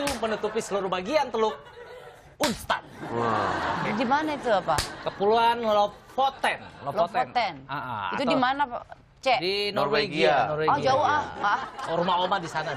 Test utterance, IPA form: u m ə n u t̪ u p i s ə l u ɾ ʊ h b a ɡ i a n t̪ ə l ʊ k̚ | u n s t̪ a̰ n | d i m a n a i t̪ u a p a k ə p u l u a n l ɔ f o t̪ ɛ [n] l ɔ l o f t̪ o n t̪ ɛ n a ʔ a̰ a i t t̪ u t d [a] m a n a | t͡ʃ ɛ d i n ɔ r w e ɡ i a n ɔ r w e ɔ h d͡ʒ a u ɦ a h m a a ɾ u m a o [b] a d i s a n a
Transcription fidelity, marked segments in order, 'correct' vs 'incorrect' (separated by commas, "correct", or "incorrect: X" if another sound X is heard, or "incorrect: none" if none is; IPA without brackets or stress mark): correct, incorrect: i, incorrect: m